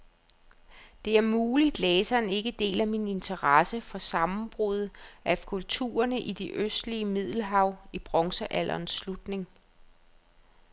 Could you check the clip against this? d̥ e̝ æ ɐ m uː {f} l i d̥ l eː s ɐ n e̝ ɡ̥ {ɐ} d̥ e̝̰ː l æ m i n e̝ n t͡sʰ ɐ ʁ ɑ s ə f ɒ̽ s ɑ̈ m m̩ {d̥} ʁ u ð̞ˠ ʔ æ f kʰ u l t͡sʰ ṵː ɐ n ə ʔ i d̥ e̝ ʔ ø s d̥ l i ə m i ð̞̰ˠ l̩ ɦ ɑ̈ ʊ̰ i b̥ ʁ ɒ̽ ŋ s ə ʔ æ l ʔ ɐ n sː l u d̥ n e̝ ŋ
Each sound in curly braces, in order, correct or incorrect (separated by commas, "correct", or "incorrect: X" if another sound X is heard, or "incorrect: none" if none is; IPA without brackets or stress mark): incorrect: none, incorrect: ə, incorrect: b̥